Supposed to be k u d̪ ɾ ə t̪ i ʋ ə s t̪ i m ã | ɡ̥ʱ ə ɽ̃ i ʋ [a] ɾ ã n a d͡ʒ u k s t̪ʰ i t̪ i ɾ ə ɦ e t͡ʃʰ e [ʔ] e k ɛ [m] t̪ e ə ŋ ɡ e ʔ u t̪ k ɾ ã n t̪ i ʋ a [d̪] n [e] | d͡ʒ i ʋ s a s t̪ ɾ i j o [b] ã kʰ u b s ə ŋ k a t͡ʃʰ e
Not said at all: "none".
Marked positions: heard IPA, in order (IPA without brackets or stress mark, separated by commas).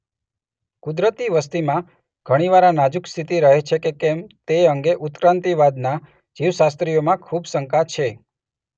a, k, m, d̪, a, m